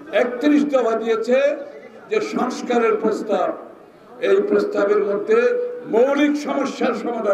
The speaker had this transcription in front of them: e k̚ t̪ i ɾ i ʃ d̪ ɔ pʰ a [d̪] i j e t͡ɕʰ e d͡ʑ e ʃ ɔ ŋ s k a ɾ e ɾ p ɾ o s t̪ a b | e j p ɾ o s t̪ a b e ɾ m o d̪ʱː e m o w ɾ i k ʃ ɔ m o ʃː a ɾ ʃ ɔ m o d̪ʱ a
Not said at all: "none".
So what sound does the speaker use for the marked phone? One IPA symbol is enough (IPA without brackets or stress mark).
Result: d̪